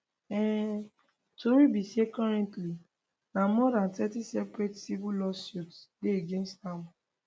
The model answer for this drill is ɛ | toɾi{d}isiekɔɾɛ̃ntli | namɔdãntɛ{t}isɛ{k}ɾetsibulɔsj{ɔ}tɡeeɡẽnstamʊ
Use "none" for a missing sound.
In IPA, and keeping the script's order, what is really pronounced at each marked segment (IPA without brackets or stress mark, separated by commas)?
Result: b, t, p, u